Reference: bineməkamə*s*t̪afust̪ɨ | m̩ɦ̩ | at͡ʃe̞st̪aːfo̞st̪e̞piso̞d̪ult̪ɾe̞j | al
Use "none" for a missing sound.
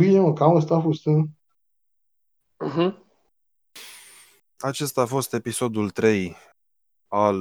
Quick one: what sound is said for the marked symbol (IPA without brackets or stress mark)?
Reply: s